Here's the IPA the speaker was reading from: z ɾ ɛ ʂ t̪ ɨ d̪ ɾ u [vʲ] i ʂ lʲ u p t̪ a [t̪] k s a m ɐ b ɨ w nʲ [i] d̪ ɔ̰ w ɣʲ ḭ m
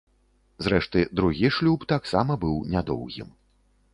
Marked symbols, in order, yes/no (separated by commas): no, no, no